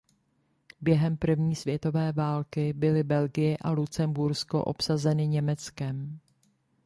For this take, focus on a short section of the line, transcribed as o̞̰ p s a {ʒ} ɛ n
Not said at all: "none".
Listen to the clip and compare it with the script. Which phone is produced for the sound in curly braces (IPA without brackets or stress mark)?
z